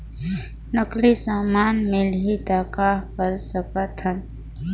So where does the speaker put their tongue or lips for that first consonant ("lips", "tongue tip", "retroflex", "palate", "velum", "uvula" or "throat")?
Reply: tongue tip